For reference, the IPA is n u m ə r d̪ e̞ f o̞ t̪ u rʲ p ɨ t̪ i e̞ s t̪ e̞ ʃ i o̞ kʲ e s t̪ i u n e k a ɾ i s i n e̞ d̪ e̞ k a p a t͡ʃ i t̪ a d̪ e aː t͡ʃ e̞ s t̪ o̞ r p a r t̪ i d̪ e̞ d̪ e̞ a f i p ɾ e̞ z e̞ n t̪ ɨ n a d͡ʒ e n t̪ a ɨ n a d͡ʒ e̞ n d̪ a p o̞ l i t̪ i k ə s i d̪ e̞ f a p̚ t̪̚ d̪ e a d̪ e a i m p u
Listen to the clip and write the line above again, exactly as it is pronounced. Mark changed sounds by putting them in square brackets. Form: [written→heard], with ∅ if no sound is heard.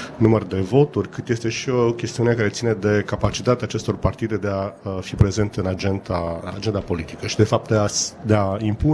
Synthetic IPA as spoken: n u m ə r d̪ e̞ [f→v] o̞ t̪ u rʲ [p→k] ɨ t̪ [i→j] e̞ s t̪ e̞ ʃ i o̞ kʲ e s t̪ i u n e k a ɾ [i→e] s i n e̞ d̪ e̞ k a p a t͡ʃ i t̪ a [d̪→t̪] e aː t͡ʃ e̞ s t̪ o̞ r p a r t̪ i d̪ e̞ d̪ e̞ a f i p ɾ e̞ z e̞ n t̪ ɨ n a d͡ʒ e n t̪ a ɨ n a d͡ʒ e̞ n d̪ a p o̞ l i t̪ i k ə [s→ʃ] i d̪ e̞ f a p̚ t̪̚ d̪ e a d̪ e a i m p u